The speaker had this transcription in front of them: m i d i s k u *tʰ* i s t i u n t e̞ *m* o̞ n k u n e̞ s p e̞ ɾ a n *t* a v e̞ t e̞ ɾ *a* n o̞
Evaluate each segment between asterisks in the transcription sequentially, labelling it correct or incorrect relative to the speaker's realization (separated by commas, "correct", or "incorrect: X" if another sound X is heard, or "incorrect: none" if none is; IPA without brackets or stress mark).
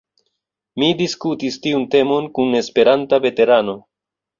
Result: incorrect: t, correct, correct, correct